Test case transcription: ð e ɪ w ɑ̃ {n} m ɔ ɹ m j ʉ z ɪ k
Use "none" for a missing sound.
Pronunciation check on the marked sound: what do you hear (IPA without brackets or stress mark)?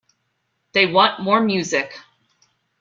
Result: n